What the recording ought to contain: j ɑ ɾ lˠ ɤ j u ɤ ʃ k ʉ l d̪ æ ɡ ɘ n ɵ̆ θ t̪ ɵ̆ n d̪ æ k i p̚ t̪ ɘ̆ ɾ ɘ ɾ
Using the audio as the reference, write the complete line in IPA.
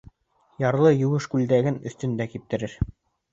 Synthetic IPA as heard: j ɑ ɾ lˠ ɤ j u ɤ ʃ k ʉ l d̪ æ ɡ ɘ n ɵ̆ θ t̪ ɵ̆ n d̪ æ k i p̚ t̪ ɘ̆ ɾ ɘ ɾ